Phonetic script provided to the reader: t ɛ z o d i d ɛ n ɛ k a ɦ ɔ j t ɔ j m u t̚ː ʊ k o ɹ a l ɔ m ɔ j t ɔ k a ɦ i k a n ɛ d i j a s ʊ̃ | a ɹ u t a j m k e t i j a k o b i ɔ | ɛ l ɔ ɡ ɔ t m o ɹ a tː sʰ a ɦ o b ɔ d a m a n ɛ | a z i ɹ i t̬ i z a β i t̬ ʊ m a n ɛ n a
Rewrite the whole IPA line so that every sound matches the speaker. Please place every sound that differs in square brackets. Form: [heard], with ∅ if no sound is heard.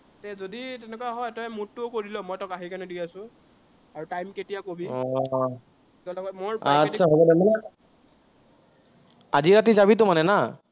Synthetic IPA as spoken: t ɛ z o d i [t] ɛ n ɛ k a ɦ ɔ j t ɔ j m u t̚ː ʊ k o ɹ [i] l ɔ m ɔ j t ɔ k a ɦ i k a n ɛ d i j a s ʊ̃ | a ɹ u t a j m k e t i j a k o b i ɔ | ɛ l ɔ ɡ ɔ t m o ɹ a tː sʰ a ɦ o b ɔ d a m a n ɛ | a z i ɹ [a] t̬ i z a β i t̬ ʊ m a n ɛ n a